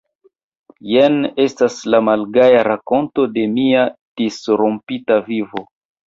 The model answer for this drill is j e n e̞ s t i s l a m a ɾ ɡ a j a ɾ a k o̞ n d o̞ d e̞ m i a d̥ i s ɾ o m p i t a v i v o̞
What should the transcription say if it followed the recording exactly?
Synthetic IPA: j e n e̞ s t a s l a m a l ɡ a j a ɾ a k o̞ n t o̞ d e̞ m i a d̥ i s ɾ o m p i t a v i v o̞